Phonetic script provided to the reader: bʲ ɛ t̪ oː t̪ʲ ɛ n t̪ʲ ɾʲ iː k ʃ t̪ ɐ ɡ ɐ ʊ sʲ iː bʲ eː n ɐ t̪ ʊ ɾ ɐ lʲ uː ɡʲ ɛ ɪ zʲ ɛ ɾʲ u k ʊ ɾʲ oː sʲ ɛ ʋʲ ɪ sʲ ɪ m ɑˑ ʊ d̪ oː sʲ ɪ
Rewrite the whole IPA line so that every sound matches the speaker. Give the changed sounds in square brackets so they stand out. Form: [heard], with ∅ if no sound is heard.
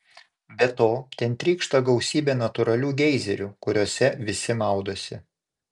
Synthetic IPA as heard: bʲ ɛ t̪ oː t̪ʲ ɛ n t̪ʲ ɾʲ iː k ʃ t̪ ɐ ɡ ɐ ʊ sʲ iː bʲ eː n ɐ t̪ ʊ ɾ ɐ lʲ uː ɡʲ ɛ ɪ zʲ ɛ ɾʲ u k ʊ ɾʲ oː sʲ ɛ ʋʲ ɪ sʲ ɪ m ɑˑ ʊ d̪ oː sʲ ɪ